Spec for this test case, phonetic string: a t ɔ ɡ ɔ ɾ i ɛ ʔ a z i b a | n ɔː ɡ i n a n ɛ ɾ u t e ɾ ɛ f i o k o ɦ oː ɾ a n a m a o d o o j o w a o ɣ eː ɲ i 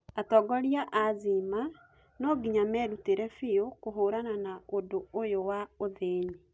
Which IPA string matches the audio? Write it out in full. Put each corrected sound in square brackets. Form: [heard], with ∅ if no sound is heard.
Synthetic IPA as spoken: a t ɔ ɡ ɔ ɾ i [a] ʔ a z i [m] a | n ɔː ɡ i [ɲ] a [m] ɛ ɾ u t e ɾ ɛ f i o k o ɦ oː ɾ a n a [n] a o d o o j o w a o [ð] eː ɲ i